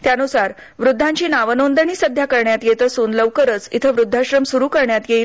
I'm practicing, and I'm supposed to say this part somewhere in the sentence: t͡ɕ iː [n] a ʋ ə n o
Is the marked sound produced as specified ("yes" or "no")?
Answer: yes